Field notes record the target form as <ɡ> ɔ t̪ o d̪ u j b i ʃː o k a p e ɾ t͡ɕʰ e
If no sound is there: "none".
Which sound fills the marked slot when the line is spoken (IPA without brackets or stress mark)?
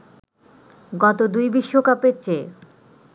ɡ